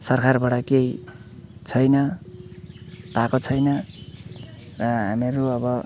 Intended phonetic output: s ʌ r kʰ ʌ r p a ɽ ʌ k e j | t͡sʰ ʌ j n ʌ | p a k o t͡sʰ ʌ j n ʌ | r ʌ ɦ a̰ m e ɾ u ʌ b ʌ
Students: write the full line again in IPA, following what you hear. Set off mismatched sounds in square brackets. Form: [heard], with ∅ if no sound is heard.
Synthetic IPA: s ʌ r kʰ [a] r [b] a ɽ ʌ k e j | t͡sʰ ʌ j n ʌ | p a k o t͡sʰ ʌ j n ʌ | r ʌ ɦ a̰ m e ɾ u ʌ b ʌ

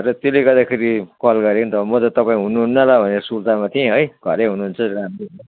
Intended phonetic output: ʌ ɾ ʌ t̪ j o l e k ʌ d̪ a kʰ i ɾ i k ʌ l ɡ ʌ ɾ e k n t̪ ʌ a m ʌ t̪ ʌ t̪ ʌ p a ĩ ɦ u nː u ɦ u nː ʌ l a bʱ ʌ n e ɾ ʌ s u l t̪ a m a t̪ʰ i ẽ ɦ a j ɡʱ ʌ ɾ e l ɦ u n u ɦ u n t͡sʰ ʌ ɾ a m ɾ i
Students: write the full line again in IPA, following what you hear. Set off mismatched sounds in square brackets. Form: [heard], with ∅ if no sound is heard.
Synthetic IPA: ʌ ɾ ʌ t̪ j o l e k ʌ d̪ a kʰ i ɾ i k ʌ l ɡ ʌ ɾ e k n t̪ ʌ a m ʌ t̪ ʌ t̪ ʌ p a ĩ ɦ u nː u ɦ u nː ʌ l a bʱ ʌ n e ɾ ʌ s u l t̪ a m a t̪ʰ i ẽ ɦ [ʌ] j ɡʱ ʌ ɾ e [∅] ɦ u n u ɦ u n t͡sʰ ʌ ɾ a m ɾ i

